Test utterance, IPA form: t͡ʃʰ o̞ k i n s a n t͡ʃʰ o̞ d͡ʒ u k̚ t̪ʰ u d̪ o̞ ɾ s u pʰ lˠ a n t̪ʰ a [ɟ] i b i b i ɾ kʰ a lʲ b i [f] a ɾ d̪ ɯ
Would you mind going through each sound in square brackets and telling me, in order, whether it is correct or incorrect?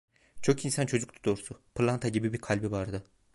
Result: correct, incorrect: v

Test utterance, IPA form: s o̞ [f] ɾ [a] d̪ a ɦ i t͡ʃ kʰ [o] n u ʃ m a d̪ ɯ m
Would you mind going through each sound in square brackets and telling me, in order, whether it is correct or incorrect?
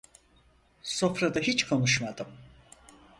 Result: correct, correct, correct

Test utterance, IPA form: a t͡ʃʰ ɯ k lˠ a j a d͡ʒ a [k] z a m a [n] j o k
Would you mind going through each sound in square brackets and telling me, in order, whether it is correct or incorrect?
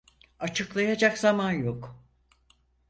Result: correct, correct

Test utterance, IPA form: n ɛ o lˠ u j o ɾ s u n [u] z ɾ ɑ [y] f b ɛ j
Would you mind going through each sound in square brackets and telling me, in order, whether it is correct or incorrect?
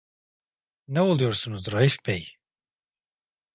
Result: correct, incorrect: i

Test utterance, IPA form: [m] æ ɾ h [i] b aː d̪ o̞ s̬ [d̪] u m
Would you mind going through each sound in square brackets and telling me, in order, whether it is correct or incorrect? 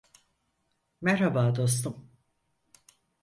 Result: correct, incorrect: a, incorrect: t̪

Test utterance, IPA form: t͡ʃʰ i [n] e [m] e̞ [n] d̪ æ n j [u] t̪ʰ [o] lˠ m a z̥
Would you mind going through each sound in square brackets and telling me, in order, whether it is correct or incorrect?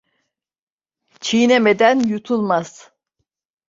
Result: correct, correct, incorrect: none, correct, incorrect: u

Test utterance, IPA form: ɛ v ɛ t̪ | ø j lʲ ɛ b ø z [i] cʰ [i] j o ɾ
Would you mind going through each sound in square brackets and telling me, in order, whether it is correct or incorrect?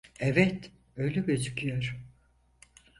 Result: incorrect: y, incorrect: y

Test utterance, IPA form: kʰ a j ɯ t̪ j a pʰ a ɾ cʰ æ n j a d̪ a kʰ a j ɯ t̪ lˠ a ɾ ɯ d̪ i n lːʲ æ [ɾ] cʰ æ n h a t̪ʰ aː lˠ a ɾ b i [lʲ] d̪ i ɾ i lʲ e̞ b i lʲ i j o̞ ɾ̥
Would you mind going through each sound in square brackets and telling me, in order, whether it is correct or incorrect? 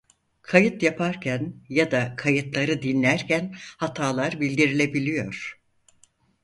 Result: correct, correct

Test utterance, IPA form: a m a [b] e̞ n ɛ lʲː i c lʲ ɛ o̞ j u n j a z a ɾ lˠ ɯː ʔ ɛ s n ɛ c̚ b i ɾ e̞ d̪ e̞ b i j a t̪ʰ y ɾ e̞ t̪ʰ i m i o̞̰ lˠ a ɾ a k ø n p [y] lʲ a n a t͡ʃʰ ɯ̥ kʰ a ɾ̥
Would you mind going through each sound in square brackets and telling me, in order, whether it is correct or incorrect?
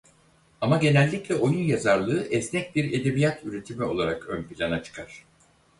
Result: incorrect: ɟ, incorrect: i

